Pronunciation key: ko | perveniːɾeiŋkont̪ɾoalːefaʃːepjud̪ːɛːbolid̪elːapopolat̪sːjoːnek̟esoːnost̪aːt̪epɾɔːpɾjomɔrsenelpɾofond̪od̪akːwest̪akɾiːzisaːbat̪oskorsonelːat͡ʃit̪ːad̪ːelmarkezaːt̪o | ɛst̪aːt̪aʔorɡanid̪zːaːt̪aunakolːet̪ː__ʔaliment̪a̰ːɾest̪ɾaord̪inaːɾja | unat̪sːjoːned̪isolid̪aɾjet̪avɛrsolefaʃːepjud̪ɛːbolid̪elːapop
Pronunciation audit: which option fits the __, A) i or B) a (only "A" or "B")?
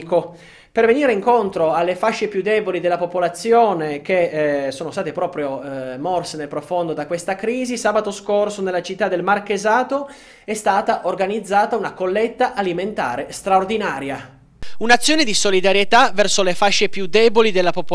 B